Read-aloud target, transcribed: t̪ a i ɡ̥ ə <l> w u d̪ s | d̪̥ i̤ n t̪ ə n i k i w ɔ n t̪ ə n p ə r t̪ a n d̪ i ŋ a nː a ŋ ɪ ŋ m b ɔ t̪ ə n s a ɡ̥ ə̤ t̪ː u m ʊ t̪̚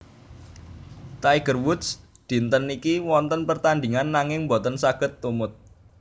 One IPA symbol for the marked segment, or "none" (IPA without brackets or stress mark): r